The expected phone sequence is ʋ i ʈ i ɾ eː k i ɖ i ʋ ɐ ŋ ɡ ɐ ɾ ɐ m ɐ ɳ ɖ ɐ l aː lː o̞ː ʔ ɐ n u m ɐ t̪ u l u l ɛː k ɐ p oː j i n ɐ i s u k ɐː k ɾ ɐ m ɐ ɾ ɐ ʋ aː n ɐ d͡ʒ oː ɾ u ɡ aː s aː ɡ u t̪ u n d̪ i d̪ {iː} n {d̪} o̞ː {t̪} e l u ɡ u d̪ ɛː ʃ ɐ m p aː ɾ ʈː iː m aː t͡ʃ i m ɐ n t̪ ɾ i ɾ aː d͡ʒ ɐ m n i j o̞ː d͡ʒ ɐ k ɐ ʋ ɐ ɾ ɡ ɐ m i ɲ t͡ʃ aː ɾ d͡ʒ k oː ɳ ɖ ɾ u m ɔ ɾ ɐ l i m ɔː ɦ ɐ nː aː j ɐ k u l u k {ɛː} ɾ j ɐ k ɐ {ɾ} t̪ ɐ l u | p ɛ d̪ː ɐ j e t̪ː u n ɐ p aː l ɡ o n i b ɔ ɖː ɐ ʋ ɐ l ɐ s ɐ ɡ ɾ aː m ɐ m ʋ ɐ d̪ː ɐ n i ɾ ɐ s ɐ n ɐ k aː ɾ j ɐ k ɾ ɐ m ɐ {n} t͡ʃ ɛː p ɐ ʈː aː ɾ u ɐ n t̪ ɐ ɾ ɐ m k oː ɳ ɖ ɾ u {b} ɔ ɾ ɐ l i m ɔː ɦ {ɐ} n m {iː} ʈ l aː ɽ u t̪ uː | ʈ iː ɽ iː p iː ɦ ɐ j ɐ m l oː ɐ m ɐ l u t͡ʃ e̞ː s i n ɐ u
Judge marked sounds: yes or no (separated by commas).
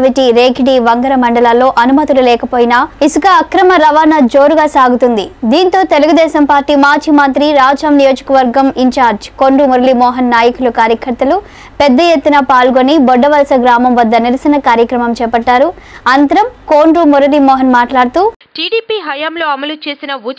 yes, no, yes, no, yes, no, no, yes, no